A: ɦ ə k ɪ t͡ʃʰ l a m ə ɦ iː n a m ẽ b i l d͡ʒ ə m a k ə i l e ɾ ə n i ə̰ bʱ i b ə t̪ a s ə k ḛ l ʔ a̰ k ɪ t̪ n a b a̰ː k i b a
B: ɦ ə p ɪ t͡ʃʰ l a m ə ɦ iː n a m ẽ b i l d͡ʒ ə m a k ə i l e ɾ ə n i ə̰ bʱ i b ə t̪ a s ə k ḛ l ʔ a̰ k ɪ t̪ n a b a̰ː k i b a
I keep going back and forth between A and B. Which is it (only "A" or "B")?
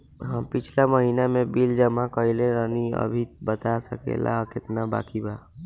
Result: B